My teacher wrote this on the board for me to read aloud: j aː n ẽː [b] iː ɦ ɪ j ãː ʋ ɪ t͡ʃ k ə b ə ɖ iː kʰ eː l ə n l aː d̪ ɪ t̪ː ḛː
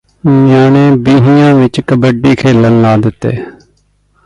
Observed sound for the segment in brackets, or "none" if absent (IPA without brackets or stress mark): b